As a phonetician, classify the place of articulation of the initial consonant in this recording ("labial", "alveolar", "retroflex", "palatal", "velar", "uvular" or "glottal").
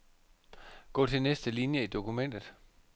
velar